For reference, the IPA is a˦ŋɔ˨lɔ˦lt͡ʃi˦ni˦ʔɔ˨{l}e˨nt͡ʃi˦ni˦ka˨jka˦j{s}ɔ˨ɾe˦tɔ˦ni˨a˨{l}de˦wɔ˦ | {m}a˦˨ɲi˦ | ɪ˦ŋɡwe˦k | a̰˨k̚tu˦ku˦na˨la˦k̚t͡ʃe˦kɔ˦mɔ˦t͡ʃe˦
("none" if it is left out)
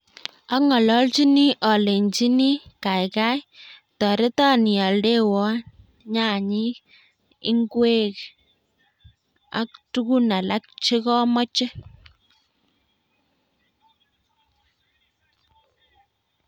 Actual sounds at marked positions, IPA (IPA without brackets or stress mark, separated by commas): l, t, l, ɲ